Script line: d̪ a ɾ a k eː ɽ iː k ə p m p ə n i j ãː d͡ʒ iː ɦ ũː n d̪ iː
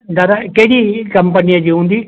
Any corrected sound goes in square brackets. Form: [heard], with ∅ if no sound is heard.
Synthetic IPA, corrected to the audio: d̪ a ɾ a k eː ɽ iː k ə [∅] m p ə n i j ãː d͡ʒ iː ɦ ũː n d̪ iː